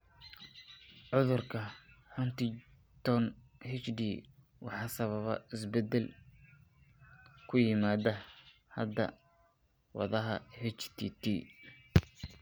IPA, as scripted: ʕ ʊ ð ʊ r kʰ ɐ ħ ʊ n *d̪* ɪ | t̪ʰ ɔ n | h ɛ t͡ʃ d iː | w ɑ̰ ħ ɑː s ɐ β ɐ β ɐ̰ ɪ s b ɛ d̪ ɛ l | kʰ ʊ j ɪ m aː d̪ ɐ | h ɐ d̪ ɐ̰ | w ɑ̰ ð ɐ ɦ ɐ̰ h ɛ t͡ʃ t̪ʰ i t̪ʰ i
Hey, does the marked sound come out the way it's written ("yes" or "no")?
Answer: no